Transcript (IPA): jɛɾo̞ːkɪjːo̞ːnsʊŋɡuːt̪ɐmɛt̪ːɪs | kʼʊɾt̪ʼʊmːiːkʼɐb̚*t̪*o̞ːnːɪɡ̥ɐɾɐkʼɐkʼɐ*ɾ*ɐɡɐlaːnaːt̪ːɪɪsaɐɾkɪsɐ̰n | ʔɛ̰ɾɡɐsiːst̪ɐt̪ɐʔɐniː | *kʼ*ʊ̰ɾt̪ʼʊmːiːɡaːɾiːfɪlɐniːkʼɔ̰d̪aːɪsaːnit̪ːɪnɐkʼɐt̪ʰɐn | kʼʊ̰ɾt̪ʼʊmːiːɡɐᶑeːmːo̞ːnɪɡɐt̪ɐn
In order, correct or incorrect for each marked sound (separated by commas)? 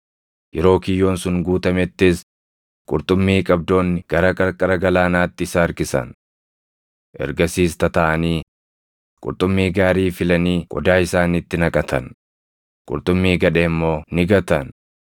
incorrect, correct, correct